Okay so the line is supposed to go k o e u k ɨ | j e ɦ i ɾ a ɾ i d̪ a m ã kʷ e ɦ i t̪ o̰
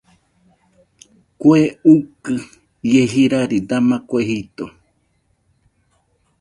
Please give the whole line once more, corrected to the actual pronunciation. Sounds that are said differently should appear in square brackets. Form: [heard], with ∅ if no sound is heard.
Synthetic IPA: k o e u k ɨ | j e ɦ i ɾ a ɾ i d̪ a m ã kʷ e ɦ i t̪ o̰